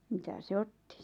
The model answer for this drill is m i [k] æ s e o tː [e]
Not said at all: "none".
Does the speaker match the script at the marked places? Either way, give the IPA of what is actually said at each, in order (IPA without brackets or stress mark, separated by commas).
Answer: t, i